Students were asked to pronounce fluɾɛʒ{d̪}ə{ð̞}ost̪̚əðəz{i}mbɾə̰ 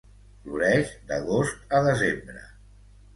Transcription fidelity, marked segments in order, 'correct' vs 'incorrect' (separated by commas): correct, incorrect, incorrect